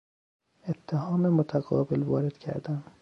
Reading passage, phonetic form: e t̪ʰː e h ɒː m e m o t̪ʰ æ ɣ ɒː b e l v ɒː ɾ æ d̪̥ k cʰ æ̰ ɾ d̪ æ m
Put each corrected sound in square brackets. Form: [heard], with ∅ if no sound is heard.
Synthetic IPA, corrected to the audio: e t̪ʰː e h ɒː m e m o t̪ʰ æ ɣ ɒː b e l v ɒː ɾ [e] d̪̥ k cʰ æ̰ ɾ d̪ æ m